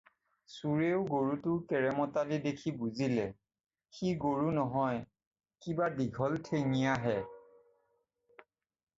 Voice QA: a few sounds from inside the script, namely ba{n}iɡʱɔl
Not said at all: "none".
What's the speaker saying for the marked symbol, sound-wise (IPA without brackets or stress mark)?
d